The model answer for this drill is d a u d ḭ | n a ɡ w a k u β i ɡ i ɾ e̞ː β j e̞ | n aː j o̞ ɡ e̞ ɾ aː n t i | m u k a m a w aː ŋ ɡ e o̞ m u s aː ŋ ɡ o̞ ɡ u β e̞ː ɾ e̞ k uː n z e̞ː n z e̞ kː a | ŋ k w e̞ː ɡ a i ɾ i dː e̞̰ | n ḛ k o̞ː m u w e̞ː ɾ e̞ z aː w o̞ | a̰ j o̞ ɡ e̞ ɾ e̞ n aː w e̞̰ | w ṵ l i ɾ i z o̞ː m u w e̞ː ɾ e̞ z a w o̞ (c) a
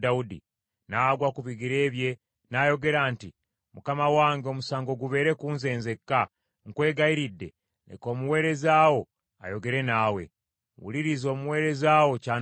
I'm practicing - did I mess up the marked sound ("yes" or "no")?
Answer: no